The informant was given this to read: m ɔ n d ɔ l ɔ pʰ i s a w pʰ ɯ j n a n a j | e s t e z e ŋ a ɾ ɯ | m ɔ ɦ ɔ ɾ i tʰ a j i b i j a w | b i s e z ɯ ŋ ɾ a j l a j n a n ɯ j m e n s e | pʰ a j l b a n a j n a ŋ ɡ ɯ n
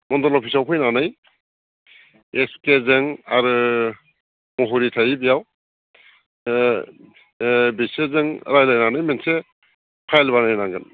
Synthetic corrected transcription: m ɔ n d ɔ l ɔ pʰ i s a w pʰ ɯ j n a n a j | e s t e z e ŋ a ɾ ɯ | m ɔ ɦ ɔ ɾ i tʰ a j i b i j a w | b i s e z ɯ ŋ ɾ a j l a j n a n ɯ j m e n s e | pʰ a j l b a n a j n a ŋ ɡ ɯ n